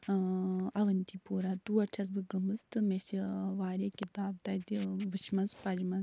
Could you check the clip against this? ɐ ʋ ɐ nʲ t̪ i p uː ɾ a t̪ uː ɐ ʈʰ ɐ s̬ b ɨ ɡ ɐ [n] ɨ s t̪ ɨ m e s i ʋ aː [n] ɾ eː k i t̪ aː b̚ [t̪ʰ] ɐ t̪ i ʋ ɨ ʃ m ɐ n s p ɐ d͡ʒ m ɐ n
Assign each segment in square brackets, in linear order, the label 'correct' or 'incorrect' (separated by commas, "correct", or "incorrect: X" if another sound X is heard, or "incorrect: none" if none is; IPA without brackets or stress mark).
incorrect: m, incorrect: none, incorrect: t̪